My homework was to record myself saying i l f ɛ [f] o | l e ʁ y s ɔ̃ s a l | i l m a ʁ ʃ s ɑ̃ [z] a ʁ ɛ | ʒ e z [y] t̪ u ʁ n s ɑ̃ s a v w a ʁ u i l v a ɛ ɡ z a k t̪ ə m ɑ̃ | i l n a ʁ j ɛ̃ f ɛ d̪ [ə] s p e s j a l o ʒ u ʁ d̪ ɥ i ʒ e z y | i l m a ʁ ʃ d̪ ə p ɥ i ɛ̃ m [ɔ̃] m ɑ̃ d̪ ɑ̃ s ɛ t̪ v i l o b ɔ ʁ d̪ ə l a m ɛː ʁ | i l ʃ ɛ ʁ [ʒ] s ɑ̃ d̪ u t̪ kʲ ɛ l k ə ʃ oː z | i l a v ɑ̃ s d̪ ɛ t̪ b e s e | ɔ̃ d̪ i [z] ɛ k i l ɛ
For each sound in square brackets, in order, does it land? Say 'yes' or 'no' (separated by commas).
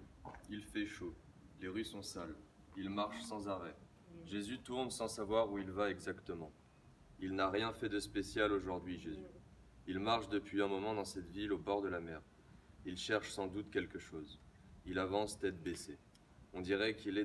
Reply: no, yes, yes, yes, no, no, no